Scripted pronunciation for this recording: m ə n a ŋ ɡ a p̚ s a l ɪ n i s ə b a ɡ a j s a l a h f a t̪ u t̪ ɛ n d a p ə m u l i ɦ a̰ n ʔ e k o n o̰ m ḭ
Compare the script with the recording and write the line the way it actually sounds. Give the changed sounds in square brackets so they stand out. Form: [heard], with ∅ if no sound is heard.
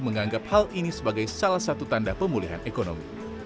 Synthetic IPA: m ə [ŋ] a ŋ ɡ a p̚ [h] a l [i] n i s ə b a ɡ a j s a l a h [s] a t̪ u t̪ [a] n d a p ə m u l i ɦ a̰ n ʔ e k o n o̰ m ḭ